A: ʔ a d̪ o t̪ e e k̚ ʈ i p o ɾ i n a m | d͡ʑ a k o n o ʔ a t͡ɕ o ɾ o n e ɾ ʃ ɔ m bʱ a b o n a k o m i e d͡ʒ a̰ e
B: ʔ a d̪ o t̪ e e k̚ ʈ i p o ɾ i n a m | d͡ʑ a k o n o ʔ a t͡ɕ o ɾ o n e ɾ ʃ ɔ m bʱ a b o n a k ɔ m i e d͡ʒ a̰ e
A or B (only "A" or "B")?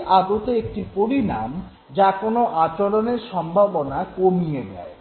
A